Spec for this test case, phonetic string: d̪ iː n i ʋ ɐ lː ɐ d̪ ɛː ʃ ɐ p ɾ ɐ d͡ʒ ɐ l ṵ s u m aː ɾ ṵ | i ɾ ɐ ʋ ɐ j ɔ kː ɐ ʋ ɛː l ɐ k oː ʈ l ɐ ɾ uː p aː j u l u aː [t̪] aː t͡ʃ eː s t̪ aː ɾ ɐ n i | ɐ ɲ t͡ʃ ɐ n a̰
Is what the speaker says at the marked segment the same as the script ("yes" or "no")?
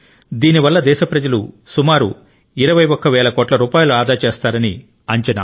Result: no